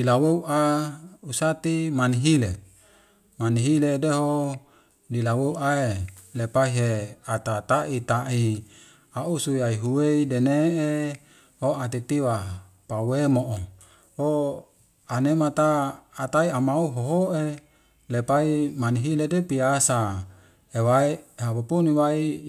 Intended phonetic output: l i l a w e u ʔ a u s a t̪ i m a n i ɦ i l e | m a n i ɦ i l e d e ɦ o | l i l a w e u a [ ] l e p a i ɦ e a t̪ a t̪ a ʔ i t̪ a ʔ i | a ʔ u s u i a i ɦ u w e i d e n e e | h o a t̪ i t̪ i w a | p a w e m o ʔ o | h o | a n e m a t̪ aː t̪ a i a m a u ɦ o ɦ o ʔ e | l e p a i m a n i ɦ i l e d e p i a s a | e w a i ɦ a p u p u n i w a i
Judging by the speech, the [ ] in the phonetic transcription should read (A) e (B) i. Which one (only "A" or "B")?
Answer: A